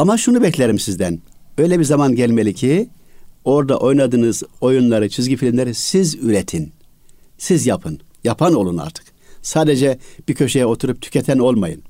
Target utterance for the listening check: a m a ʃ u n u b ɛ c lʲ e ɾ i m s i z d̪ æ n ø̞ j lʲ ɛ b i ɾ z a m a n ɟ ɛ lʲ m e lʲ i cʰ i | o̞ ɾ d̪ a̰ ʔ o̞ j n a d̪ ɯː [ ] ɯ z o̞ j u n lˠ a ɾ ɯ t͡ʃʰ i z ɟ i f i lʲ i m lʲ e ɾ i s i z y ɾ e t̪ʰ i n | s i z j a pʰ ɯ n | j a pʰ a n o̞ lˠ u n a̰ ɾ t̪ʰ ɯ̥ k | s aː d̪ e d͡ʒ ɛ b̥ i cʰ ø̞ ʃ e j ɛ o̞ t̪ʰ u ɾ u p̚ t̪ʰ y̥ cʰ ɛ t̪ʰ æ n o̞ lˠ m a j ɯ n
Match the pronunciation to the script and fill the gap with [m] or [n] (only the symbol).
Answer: n